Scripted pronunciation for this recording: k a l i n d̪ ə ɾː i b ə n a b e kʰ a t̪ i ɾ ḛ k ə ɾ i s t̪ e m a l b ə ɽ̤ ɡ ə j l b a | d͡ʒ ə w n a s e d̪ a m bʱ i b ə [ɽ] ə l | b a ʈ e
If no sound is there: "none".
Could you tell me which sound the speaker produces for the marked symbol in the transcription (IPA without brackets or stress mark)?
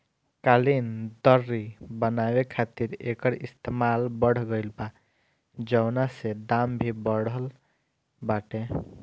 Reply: ɽ